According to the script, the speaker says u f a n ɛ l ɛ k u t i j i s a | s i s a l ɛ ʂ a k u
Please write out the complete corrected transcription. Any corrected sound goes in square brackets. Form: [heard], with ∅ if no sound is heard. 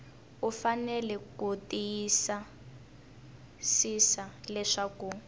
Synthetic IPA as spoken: u f a n ɛ l ɛ k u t i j i s a | s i s a l ɛ ʂ a k u

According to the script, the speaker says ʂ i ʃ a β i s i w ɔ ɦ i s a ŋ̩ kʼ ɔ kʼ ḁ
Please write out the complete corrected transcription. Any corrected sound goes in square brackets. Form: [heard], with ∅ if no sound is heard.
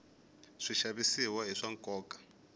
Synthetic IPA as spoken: ʂ i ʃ a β i s i w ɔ ɦ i [ʂ] a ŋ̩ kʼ [ɔː] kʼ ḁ

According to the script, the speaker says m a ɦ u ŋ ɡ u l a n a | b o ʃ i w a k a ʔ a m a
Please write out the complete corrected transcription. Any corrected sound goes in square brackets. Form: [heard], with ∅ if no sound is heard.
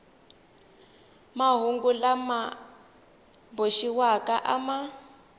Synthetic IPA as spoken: m a ɦ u ŋ ɡ u l a [m] a | b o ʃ i w a k a ʔ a m a

